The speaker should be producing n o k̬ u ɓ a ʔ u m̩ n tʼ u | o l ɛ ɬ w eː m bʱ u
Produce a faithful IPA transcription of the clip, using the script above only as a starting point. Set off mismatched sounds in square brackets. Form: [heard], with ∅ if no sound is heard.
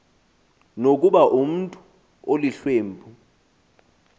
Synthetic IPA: n o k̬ u ɓ a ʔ u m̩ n tʼ u | o l [i] ɬ w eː m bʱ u